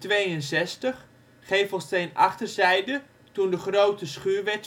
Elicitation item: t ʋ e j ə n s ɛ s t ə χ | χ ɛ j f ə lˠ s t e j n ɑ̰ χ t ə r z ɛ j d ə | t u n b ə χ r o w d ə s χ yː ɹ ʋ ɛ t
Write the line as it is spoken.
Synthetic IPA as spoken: t ʋ e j ə n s ɛ s t ə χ | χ e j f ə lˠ s t e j n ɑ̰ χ t ə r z ɛ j d ə | t u n d ə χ r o w t ə s χ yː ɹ ʋ ɛ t